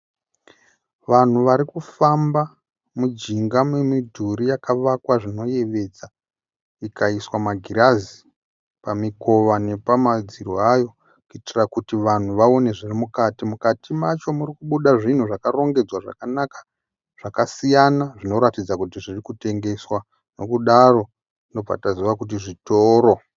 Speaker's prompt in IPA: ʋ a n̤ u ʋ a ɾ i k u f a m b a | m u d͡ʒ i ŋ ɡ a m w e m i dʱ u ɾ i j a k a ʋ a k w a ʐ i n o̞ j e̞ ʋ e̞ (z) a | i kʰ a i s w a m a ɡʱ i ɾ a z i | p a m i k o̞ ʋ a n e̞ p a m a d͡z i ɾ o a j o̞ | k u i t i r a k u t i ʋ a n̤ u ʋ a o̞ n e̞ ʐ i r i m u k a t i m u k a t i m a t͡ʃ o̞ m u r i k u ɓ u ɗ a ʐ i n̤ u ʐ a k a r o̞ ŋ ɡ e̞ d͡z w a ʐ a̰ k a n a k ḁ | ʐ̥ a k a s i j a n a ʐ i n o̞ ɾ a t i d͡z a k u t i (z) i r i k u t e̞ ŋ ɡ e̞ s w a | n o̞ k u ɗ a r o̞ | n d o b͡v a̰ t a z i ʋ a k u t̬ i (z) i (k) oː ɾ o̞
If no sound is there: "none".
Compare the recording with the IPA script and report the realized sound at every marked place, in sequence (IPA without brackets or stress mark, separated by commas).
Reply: d͡z, ʐ, ʐ, t